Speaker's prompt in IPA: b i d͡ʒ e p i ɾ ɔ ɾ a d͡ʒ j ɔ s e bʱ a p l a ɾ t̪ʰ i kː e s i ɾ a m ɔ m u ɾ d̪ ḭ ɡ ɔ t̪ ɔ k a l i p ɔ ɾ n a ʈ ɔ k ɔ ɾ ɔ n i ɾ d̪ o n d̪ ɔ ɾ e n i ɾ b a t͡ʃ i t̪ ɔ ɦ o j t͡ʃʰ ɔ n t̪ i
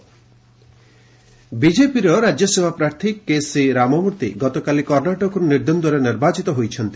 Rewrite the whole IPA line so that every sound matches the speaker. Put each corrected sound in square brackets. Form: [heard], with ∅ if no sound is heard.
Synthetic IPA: b i d͡ʒ e p i ɾ ɔ ɾ a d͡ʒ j ɔ s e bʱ a p [ɾ] a ɾ t̪ʰ i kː e s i ɾ a m ɔ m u ɾ [t̪] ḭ ɡ ɔ t̪ ɔ k a l i [k] ɔ ɾ n a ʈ ɔ k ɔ ɾ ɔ n i ɾ d̪ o n d̪ ɔ ɾ e n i ɾ b a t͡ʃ i t̪ ɔ ɦ o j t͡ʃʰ ɔ n t̪ i